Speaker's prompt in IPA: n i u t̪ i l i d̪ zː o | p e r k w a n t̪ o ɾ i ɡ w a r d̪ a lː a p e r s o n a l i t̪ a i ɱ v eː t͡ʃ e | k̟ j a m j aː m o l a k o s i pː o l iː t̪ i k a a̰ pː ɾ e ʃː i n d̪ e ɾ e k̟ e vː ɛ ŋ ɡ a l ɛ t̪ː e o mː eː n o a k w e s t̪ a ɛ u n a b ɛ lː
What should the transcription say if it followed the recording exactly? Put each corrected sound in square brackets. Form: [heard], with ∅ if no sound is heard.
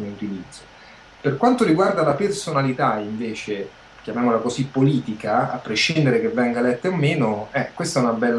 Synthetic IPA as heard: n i u t̪ i l i d̪ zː o | p e r k w a n t̪ o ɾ i ɡ w a r d̪ a [l] a p e r s o n a l i t̪ a i ɱ v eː t͡ʃ e | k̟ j a m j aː m o l a k o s i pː o l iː t̪ i k a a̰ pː ɾ e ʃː i n d̪ e ɾ e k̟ e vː ɛ ŋ ɡ a l ɛ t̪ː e o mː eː n o [ɛ] k w e s t̪ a ɛ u n a b ɛ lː